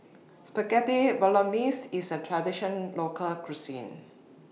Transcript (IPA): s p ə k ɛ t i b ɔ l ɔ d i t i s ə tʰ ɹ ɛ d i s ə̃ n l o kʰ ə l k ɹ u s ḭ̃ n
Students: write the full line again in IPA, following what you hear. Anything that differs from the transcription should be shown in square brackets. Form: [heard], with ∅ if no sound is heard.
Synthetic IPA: s p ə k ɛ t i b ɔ l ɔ [n] i [s] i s ə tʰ ɹ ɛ d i [ʃ] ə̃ n l o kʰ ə l k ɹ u s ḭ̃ n